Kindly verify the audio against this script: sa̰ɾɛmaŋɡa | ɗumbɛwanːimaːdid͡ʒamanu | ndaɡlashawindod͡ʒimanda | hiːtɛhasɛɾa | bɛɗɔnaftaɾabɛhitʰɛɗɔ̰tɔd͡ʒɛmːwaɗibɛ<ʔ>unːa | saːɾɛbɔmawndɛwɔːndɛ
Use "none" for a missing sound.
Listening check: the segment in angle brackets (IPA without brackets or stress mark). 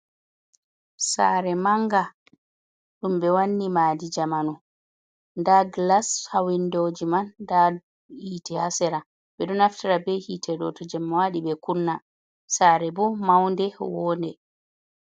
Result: k